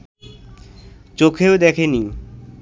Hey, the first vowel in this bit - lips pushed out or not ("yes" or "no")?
yes